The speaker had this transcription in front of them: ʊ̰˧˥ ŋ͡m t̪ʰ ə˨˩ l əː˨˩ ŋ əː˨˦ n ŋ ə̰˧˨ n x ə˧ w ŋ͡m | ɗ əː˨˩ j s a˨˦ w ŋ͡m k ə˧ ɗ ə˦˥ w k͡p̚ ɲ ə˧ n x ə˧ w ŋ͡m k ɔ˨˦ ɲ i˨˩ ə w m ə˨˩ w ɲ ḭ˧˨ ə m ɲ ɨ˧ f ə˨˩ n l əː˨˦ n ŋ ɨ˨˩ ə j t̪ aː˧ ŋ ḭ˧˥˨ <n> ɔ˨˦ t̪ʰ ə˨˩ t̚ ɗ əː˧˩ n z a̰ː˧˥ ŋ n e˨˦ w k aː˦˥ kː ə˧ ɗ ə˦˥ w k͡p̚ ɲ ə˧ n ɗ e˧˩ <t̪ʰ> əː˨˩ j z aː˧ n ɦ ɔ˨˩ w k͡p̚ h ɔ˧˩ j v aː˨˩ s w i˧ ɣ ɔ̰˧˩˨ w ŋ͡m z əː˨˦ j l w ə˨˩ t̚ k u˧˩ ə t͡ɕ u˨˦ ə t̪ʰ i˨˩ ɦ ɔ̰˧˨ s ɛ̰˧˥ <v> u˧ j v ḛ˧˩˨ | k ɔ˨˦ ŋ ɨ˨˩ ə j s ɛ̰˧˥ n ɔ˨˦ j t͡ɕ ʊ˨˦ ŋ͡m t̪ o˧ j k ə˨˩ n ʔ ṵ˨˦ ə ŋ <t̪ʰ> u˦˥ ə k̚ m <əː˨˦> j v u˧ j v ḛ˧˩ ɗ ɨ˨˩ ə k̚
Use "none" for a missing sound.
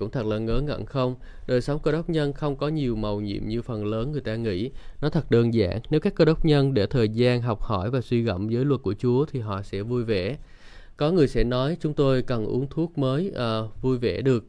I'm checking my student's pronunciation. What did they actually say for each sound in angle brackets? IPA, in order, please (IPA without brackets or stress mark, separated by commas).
n, t̪ʰ, v, t̪ʰ, əː˨˦